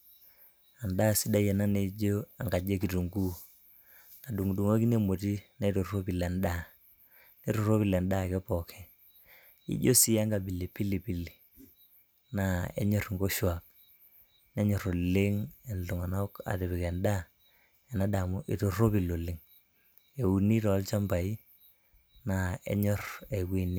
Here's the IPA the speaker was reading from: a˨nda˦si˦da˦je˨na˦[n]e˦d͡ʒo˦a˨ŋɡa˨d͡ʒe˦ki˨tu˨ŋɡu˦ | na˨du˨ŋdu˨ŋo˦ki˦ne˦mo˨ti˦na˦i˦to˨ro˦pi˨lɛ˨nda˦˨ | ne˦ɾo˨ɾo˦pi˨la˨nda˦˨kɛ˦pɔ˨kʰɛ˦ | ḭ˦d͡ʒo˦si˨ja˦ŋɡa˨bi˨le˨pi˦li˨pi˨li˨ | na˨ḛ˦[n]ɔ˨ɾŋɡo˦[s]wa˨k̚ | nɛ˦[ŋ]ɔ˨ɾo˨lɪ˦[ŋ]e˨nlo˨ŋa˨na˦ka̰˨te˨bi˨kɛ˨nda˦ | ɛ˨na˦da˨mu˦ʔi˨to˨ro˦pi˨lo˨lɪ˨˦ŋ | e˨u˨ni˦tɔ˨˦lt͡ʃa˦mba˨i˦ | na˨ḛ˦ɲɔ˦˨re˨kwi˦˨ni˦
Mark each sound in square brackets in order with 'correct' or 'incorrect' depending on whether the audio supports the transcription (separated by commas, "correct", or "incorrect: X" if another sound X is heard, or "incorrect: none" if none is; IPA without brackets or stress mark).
correct, incorrect: ɲ, incorrect: ʃ, incorrect: ɲ, correct